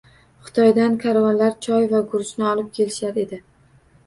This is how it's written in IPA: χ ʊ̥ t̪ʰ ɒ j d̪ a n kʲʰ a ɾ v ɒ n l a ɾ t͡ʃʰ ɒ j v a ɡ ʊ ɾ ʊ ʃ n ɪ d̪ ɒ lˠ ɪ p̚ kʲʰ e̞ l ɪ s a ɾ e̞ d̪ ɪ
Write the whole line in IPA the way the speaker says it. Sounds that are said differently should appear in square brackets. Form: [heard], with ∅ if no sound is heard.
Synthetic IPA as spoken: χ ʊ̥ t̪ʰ ɒ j d̪ a n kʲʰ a ɾ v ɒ n l a ɾ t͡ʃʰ ɒ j v a ɡ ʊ ɾ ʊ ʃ n ɪ [∅] ɒ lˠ ɪ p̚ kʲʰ e̞ l ɪ [ʃ] a ɾ e̞ d̪ ɪ